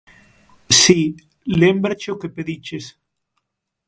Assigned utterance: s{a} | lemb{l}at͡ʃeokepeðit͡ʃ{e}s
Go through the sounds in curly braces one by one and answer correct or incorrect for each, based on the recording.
incorrect: i, incorrect: ɾ, correct

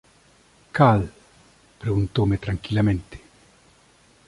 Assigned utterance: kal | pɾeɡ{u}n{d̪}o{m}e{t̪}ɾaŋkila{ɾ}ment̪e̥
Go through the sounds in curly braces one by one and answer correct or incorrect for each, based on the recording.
correct, incorrect: t̪, correct, correct, incorrect: none

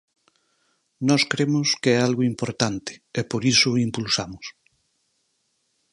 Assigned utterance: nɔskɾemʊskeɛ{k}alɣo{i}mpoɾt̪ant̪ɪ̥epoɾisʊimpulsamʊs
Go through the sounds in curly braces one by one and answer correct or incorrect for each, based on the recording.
incorrect: none, correct

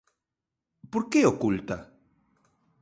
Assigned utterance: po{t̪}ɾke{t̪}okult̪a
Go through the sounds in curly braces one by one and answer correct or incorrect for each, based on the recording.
incorrect: none, incorrect: none

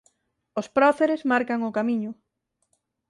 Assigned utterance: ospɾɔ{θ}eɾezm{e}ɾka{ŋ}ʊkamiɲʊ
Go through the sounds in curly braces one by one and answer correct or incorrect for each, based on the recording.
correct, incorrect: a, correct

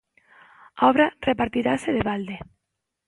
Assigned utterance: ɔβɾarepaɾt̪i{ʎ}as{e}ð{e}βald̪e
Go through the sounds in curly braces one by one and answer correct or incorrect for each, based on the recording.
incorrect: ɾ, correct, correct

